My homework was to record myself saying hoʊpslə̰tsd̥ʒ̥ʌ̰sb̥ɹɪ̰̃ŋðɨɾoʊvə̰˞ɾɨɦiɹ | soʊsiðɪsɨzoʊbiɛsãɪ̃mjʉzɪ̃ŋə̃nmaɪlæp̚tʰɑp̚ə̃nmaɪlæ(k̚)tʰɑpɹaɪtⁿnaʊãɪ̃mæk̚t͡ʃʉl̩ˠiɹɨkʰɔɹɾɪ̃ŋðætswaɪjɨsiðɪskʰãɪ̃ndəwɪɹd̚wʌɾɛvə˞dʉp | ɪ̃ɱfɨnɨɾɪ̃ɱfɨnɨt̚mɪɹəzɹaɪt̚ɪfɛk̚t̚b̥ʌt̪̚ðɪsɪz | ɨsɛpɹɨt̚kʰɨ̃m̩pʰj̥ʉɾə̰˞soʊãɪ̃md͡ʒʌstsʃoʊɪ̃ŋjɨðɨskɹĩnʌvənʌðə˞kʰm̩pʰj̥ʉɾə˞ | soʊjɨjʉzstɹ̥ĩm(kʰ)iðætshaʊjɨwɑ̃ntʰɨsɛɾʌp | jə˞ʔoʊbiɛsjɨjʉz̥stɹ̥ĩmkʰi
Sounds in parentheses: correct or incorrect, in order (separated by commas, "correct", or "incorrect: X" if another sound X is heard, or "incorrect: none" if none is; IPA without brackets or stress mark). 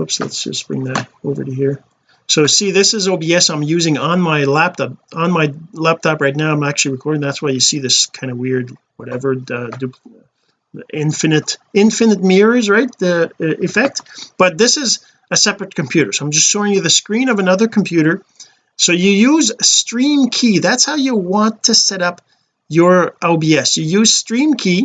incorrect: p̚, correct